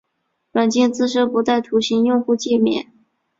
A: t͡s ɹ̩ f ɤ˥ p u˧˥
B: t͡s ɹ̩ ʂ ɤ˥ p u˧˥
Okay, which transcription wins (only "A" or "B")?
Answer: B